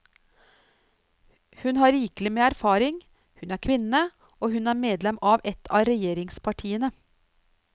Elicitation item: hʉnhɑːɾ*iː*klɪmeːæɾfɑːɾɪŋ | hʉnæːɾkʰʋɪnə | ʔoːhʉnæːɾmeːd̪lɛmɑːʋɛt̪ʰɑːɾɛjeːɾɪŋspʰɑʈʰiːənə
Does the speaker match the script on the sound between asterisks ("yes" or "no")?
yes